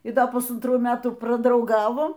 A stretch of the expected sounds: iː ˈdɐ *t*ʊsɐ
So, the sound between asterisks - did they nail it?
no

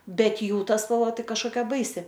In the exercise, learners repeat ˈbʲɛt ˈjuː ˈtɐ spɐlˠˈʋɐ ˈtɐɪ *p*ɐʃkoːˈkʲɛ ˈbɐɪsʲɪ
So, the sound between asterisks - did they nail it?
no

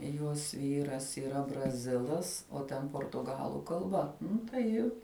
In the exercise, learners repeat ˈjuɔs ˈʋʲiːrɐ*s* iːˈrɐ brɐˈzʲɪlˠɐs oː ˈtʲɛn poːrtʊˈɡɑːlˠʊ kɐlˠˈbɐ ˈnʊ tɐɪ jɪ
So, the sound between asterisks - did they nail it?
yes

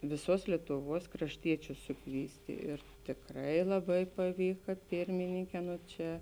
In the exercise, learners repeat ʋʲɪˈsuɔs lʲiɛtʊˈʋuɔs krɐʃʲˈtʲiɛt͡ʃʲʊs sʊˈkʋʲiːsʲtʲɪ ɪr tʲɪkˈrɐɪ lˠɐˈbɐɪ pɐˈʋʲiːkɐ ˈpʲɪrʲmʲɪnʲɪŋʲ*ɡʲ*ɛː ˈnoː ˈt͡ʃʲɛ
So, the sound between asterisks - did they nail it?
no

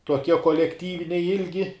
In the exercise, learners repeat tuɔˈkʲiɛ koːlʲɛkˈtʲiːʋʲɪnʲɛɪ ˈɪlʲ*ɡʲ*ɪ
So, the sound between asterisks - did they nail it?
yes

